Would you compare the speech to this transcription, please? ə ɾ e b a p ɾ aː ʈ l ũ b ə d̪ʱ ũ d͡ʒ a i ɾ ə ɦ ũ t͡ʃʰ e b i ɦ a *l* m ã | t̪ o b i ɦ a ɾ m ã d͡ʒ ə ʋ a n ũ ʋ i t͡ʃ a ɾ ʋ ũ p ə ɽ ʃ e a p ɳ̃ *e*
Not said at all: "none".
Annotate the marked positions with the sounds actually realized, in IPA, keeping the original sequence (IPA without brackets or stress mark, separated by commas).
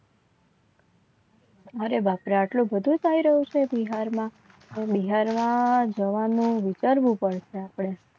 ɾ, e